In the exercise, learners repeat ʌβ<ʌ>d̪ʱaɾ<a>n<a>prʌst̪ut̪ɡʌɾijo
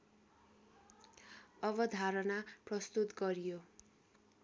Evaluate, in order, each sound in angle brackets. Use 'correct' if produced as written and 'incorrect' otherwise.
correct, incorrect, correct

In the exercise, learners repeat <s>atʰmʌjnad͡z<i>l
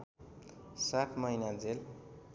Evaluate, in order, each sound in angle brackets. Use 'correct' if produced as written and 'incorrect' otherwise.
correct, incorrect

